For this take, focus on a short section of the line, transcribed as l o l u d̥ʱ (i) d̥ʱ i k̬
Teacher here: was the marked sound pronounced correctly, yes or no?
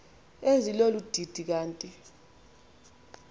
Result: yes